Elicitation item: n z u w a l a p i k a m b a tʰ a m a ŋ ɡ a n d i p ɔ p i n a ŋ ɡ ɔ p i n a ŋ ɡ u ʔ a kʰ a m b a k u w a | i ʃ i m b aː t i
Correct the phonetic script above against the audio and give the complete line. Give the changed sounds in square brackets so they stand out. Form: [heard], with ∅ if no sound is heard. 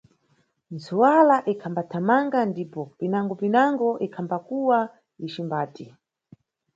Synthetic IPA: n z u w a l a [ʔ] i [kʰ] a m b a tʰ a m a ŋ ɡ a n d i p ɔ p i n a ŋ ɡ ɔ p i n a ŋ ɡ [ɔ] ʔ [i] kʰ a m b a k u w a | i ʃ i m b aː t i